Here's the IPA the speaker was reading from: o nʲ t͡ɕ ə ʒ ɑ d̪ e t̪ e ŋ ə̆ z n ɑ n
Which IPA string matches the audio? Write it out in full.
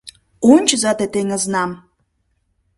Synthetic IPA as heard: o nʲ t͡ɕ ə z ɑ t̪ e t̪ e ŋ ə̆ z n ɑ m